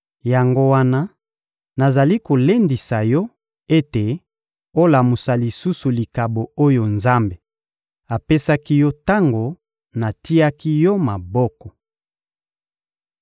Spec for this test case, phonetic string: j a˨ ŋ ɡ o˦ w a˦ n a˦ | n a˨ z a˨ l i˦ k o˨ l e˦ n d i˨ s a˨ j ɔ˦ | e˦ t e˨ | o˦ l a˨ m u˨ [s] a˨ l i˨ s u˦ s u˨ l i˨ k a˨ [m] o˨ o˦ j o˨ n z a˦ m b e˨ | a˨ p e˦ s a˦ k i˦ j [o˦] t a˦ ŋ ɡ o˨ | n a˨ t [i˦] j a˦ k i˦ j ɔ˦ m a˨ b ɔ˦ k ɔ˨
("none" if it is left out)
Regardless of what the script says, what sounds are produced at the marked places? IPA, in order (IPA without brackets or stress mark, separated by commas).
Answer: s, b, ɔ˦, i˦